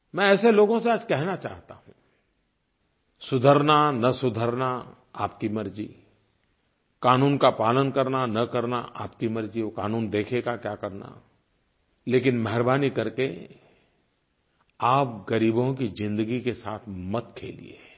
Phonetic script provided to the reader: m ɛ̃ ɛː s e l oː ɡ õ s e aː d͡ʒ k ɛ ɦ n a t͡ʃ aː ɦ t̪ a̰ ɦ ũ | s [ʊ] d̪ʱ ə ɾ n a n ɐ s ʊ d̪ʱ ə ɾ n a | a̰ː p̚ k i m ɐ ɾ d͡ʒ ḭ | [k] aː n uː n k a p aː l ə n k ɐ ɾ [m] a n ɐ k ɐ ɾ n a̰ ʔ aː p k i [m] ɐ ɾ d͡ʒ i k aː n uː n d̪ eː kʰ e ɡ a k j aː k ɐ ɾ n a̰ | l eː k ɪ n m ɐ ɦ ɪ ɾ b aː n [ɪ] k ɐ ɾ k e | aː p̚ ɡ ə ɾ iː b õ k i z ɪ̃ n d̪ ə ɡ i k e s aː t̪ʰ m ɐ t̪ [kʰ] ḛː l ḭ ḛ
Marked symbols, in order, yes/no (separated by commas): yes, yes, no, yes, no, yes